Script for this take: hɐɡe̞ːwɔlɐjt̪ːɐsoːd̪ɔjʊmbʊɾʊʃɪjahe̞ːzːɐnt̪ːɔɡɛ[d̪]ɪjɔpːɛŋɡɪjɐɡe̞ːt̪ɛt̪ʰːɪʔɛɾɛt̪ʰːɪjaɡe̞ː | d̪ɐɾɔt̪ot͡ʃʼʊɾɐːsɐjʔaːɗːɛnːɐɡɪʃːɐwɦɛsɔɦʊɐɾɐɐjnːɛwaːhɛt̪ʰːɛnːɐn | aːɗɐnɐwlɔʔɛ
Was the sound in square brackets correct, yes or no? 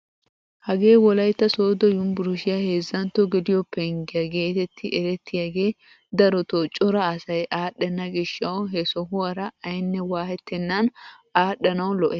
yes